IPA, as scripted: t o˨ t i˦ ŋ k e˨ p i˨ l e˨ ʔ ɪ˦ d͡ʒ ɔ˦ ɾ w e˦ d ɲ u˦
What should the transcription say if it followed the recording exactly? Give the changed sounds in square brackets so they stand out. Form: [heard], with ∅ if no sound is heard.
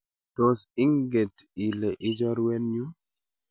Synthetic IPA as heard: t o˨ [s] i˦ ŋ [ɡ] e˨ [t] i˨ l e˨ ʔ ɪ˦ d͡ʒ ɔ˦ ɾ w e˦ [n] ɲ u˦